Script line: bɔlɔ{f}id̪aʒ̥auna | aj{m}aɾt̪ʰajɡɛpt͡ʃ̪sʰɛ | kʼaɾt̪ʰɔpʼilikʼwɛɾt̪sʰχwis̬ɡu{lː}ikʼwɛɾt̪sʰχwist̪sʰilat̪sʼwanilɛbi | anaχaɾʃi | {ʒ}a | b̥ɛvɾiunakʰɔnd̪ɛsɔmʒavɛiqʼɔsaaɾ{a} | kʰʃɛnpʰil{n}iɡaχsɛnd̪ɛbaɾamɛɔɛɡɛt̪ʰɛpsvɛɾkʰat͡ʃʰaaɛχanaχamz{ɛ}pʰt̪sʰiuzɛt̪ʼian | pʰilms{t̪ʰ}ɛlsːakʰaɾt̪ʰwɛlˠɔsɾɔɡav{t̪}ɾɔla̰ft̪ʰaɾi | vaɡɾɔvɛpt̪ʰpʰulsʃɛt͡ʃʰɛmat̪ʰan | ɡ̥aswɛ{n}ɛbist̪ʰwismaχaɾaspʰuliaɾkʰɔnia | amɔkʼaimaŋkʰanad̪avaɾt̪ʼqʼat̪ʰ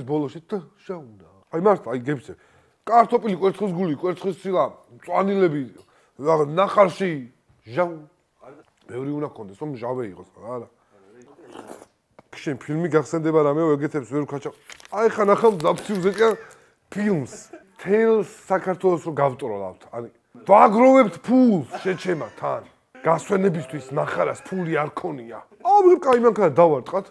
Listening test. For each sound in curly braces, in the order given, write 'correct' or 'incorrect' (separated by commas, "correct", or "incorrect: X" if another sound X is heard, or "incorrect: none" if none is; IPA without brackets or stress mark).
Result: incorrect: ʃ, correct, incorrect: l, correct, correct, incorrect: m, incorrect: a, correct, incorrect: t̪ʼ, correct